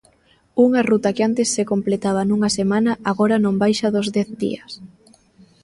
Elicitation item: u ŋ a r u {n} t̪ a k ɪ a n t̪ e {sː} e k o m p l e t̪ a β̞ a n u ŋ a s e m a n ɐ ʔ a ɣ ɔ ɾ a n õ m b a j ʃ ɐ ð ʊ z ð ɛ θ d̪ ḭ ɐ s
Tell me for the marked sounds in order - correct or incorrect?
incorrect: none, correct

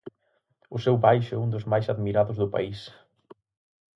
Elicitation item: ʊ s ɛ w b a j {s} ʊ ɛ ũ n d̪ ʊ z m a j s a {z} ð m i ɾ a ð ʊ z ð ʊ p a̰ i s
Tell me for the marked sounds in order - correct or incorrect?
incorrect: ʃ, incorrect: none

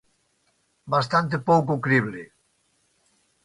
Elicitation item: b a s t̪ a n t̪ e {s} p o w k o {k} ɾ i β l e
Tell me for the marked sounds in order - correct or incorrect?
incorrect: none, correct

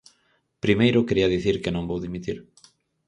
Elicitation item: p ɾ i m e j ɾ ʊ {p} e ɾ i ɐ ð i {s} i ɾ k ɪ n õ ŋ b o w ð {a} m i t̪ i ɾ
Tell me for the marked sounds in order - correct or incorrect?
incorrect: k, incorrect: θ, incorrect: i

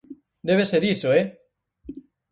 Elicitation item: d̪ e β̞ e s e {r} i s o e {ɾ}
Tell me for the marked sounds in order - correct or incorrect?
incorrect: ɾ, incorrect: none

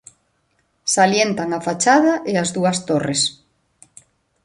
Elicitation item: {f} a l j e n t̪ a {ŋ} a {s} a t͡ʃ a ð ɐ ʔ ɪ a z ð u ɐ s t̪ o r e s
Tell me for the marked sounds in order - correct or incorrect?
incorrect: s, correct, incorrect: f

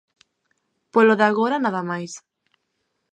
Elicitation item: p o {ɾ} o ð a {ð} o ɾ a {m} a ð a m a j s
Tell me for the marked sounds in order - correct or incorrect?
incorrect: l, incorrect: ɣ, incorrect: n

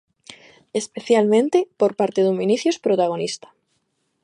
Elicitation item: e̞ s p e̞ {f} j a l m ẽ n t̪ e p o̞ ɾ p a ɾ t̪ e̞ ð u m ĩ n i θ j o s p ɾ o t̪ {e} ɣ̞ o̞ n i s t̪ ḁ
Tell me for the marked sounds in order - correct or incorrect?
incorrect: θ, incorrect: a

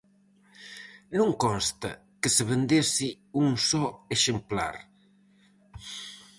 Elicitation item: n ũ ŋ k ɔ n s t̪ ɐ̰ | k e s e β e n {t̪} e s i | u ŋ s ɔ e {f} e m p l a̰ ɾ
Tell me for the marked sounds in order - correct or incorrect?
incorrect: d̪, incorrect: ʃ

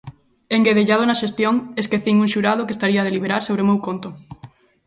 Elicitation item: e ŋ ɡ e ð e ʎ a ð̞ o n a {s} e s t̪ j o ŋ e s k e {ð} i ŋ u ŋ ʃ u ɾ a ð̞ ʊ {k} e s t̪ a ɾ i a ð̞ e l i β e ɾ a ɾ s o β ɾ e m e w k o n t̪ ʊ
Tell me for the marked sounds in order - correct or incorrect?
incorrect: ʃ, incorrect: θ, correct

